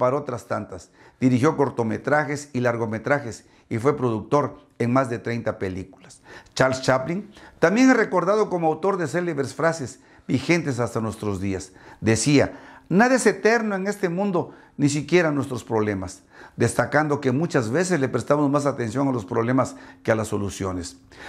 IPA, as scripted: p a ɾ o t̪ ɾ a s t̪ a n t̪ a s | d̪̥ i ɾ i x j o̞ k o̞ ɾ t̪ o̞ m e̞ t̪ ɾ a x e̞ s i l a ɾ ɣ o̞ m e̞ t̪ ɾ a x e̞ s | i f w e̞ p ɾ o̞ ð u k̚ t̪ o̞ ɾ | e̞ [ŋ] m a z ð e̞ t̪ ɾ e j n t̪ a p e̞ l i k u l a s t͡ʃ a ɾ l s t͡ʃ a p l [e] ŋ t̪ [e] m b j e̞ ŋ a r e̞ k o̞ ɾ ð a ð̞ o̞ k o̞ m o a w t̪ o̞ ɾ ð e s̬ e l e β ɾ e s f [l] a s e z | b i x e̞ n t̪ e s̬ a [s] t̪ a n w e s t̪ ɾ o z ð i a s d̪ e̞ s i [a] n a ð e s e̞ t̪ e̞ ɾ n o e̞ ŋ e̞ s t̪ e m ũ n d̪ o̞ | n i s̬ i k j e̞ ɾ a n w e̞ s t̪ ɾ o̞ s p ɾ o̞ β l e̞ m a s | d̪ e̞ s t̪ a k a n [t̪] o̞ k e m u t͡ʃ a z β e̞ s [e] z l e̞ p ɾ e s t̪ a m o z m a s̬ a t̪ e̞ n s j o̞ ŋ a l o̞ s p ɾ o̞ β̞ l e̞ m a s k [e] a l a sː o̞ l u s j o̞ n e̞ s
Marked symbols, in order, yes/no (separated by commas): yes, no, no, no, yes, yes, no, yes, yes